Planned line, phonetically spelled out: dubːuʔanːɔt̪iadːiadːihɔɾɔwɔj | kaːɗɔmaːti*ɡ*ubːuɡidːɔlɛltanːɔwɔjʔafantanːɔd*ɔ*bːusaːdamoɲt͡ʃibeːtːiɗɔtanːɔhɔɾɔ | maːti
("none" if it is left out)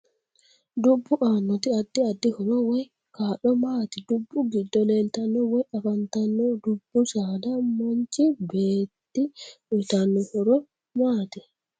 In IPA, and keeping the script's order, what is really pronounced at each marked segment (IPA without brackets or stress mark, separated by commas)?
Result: d, u